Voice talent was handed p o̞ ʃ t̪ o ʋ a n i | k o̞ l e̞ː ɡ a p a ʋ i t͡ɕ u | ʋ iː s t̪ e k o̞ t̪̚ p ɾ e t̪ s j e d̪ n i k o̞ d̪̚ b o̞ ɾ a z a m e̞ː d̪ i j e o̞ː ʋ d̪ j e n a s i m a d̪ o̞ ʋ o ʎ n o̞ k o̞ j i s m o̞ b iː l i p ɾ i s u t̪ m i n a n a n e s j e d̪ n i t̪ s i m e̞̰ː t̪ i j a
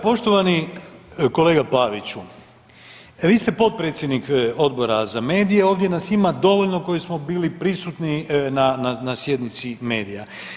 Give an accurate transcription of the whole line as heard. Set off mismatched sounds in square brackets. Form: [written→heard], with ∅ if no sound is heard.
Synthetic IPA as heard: p o̞ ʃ t̪ o ʋ a n i | k o̞ l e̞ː ɡ a p a ʋ i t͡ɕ u | ʋ iː s t̪ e [k→p] o̞ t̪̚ p ɾ e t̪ s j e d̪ n i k o̞ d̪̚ b o̞ ɾ a z a m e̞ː d̪ i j e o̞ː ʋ d̪ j e n a s i m a d̪ o̞ ʋ o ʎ n o̞ k o̞ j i s m o̞ b iː l i p ɾ i s u t̪ [m→n] i n a n a n [e→a] s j e d̪ n i t̪ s i m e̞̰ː [t̪→d̪] i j a